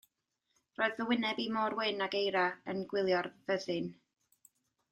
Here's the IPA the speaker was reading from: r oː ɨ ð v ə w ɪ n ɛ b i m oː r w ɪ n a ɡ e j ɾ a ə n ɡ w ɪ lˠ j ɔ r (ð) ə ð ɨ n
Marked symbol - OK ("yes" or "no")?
no